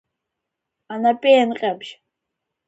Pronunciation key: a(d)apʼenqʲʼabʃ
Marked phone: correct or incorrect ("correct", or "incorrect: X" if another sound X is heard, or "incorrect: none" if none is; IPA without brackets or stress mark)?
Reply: incorrect: n